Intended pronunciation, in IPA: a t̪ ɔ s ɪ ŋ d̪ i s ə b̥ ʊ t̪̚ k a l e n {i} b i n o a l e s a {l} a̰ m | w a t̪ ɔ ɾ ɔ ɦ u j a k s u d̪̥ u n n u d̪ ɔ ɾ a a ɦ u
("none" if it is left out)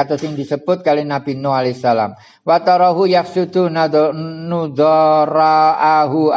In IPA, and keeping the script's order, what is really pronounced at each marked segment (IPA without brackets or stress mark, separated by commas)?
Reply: a, l